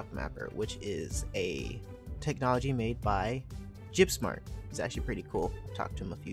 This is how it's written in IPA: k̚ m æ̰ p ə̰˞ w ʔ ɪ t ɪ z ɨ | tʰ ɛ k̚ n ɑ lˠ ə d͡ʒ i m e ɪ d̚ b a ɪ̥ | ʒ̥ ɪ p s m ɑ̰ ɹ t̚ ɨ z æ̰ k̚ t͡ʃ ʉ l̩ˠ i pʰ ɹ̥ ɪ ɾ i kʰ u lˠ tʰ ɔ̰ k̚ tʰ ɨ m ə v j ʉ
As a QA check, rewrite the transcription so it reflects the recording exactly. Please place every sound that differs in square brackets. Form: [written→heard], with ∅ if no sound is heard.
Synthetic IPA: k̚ m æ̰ p ə̰˞ w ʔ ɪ [t→t͡ʃ] ɪ z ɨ | tʰ ɛ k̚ n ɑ lˠ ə d͡ʒ i m e ɪ d̚ b a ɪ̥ | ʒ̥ ɪ p s m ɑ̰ ɹ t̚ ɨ z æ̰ k̚ t͡ʃ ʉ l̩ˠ i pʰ ɹ̥ ɪ ɾ i kʰ u lˠ tʰ ɔ̰ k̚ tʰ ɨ m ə [v→f] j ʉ